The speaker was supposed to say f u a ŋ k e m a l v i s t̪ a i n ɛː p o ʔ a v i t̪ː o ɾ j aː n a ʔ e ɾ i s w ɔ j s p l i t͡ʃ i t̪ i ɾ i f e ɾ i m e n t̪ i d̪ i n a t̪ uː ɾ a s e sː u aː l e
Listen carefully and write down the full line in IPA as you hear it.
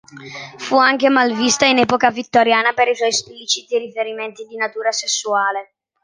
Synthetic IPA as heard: f u a ŋ k e m a l v i s t̪ a i n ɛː p o k a v i t̪ː o ɾ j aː n a p e ɾ i s w ɔ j s p l i t͡ʃ i t̪ i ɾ i f e ɾ i m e n t̪ i d̪ i n a t̪ uː ɾ a s e sː u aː l e